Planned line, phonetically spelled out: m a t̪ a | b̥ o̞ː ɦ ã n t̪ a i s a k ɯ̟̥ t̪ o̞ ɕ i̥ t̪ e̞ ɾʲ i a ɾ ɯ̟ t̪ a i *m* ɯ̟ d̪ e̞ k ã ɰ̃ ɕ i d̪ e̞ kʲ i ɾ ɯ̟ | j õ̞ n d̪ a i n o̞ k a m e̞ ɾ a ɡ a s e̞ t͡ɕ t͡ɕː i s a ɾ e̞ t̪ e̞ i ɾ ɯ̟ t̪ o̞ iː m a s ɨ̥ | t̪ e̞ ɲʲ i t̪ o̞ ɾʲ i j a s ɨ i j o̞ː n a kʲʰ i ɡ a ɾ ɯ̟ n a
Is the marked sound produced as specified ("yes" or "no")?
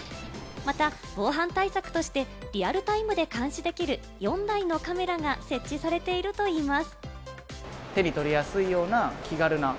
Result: yes